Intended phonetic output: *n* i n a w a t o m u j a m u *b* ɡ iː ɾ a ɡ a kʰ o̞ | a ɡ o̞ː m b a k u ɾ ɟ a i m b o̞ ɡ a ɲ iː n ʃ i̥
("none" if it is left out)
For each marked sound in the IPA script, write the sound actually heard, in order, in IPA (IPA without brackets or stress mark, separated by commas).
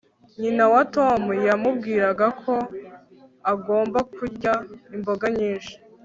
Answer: ɲ, b